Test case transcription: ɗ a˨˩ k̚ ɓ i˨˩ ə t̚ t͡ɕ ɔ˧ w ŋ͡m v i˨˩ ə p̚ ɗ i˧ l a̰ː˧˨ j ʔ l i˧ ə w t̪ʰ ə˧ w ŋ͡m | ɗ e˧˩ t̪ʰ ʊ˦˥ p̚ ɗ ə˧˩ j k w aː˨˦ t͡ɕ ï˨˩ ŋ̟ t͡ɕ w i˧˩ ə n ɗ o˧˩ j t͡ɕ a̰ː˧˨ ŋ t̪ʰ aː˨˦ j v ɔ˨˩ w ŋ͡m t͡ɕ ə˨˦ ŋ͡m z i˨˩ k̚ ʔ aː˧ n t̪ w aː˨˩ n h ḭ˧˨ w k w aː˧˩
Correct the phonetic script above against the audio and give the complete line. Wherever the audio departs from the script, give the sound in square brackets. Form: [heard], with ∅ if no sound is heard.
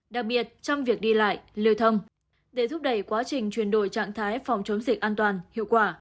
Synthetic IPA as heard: ɗ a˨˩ k̚ ɓ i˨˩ ə t̚ t͡ɕ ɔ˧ w ŋ͡m v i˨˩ ə [k̚] ɗ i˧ l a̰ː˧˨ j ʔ l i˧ ə w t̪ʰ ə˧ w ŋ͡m | ɗ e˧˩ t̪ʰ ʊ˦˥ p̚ ɗ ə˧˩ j k w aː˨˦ t͡ɕ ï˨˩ ŋ̟ t͡ɕ w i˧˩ ə n ɗ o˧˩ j t͡ɕ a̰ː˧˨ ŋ t̪ʰ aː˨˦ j [f] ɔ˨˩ w ŋ͡m t͡ɕ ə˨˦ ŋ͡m z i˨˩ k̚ ʔ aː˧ n t̪ w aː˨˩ n h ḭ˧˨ w k w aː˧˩

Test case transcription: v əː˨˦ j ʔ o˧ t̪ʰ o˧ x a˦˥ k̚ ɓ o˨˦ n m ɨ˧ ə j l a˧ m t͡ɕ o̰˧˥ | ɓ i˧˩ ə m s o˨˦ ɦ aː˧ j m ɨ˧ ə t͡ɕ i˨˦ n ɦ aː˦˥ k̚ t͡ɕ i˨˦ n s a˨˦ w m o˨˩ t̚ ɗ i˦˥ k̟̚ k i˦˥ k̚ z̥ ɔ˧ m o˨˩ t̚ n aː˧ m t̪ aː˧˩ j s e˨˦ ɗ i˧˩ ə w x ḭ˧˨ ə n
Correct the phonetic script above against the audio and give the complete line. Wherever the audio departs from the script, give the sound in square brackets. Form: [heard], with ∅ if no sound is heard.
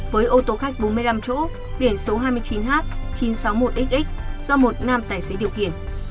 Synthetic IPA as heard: v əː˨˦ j ʔ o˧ [t̪] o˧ x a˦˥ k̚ ɓ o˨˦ n m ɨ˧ ə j l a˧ m t͡ɕ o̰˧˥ | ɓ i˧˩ ə [n] s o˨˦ ɦ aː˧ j m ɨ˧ ə t͡ɕ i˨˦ n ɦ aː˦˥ [t̚] t͡ɕ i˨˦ n s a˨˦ w m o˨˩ t̚ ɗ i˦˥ k̟̚ [ʔ] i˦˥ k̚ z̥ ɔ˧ m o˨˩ t̚ n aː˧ m t̪ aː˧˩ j s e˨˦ ɗ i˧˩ ə w x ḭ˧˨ ə n

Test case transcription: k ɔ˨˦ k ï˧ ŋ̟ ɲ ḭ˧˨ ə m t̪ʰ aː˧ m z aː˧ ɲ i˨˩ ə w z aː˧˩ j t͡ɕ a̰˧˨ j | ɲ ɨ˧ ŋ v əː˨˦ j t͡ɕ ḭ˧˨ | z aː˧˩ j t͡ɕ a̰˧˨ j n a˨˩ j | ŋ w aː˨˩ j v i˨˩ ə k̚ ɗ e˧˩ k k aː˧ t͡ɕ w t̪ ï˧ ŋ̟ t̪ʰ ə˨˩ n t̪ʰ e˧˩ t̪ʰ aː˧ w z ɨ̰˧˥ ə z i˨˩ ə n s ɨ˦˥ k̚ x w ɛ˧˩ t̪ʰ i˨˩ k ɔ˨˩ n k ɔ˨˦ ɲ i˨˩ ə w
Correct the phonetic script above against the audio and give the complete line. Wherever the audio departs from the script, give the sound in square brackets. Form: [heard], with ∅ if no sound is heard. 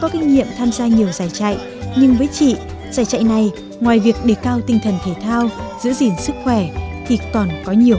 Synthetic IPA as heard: k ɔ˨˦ k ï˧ ŋ̟ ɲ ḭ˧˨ ə m t̪ʰ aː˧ m z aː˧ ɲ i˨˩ ə w z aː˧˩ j t͡ɕ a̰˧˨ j | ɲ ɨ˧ ŋ v əː˨˦ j t͡ɕ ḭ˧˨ | z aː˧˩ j t͡ɕ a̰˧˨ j n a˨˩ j | ŋ w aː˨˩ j v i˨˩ ə k̚ ɗ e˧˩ k k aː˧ [∅] w t̪ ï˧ ŋ̟ t̪ʰ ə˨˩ n t̪ʰ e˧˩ t̪ʰ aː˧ w z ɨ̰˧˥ ə z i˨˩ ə n s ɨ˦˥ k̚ x w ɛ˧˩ t̪ʰ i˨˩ k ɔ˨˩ n k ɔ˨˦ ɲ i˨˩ ə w

